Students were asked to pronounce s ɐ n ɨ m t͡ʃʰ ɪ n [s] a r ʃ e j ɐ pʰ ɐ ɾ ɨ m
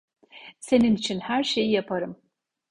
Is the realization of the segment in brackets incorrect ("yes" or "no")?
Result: yes